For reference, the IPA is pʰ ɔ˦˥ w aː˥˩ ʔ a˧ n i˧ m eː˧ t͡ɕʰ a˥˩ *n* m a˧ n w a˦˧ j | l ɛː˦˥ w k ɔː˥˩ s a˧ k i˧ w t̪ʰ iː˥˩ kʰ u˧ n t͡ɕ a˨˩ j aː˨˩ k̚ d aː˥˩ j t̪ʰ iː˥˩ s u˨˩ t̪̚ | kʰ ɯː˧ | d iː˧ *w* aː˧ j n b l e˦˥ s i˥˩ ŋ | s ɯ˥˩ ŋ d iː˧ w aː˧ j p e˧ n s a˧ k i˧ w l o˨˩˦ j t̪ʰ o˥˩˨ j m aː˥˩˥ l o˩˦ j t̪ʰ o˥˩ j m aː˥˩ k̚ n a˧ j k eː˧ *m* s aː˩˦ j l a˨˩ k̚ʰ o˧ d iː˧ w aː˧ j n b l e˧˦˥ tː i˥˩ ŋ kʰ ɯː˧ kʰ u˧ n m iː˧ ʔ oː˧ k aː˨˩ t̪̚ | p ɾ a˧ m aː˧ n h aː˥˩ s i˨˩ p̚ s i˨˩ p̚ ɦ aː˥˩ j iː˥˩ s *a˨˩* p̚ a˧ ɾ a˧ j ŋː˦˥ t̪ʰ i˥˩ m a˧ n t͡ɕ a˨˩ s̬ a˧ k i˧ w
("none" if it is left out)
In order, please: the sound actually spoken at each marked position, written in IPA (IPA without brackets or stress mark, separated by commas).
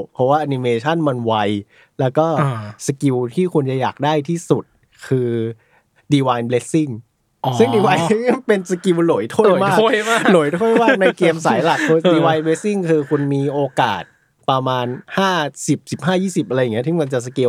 n, w, m, i˨˩